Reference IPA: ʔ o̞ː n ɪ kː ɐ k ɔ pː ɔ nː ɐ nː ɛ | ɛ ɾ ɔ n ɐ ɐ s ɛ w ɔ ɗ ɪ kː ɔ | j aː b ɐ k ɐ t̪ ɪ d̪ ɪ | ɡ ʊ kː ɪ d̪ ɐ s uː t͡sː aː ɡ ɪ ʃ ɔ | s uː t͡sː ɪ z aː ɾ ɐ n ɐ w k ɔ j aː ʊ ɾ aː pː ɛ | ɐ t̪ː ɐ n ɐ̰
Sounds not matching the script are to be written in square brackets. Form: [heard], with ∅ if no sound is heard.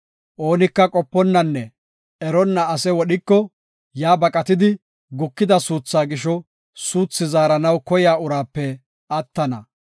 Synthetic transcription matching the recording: ʔ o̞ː n ɪ kː ɐ [kʼ] ɔ pː ɔ nː ɐ nː ɛ | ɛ ɾ ɔ [nː] ɐ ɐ s ɛ w ɔ ɗ ɪ kː ɔ | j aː b ɐ [kʼ] ɐ t̪ ɪ d̪ ɪ | ɡ ʊ kː ɪ d̪ ɐ s uː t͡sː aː ɡ ɪ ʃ ɔ | s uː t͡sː ɪ z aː ɾ ɐ n ɐ w k ɔ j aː ʊ ɾ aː pː ɛ | ɐ t̪ː ɐ n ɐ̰